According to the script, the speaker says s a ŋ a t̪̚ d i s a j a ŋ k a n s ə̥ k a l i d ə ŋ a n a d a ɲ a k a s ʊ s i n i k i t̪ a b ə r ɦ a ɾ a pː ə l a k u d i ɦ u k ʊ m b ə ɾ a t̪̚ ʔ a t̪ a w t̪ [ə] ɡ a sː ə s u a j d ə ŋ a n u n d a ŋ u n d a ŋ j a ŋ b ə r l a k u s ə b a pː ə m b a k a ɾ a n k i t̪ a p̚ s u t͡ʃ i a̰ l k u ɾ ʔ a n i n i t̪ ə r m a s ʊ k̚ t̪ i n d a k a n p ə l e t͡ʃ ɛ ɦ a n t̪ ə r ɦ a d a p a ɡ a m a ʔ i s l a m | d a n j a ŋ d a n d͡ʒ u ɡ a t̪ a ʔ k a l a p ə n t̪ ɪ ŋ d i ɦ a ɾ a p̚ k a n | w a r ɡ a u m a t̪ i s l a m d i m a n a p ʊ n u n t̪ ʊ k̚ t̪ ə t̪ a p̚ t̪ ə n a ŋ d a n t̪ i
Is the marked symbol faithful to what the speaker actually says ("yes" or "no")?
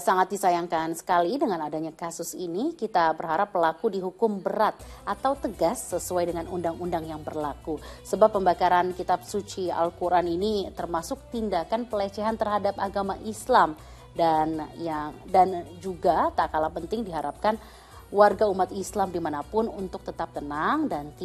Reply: yes